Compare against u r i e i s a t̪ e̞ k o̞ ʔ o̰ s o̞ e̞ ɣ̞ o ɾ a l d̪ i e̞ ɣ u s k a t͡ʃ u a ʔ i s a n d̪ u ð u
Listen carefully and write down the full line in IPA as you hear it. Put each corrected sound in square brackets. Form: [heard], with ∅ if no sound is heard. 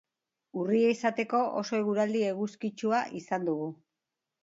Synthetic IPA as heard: u r i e i s a t̪ e̞ k o̞ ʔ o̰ s o̞ e̞ ɣ̞ [u] ɾ a l d̪ i e̞ ɣ u s k [i] t͡ʃ u a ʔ i s a n d̪ u [ɣ] u